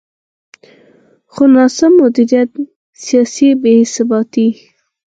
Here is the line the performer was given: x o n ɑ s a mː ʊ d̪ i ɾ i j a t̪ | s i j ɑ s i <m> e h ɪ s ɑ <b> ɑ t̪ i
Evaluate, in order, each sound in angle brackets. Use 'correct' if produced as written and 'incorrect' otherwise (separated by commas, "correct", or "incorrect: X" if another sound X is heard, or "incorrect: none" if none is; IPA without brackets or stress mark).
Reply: incorrect: b, correct